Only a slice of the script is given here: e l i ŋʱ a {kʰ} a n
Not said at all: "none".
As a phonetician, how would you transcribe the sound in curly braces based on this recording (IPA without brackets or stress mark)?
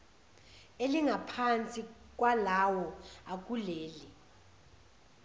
pʰ